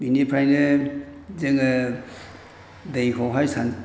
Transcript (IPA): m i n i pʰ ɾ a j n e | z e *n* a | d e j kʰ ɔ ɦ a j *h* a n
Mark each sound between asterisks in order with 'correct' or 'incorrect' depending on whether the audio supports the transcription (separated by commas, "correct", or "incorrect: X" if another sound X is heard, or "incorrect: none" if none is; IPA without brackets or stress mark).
incorrect: ŋ, incorrect: s